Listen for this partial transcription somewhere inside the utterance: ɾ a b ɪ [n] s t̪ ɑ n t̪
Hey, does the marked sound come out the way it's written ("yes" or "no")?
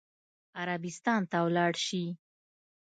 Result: no